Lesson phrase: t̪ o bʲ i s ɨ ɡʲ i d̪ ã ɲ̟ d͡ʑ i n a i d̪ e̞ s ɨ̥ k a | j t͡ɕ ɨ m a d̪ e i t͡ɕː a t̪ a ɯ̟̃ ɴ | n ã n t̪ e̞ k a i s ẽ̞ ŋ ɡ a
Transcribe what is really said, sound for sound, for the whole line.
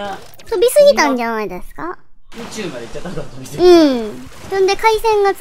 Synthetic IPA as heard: t̪ o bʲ i s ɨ ɡʲ i t̪ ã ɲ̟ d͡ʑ a n a i d̪ e̞ s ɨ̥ k a | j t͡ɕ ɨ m a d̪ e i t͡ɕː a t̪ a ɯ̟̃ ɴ | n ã n d̪ e̞ k a i s ẽ̞ ŋ ɡ a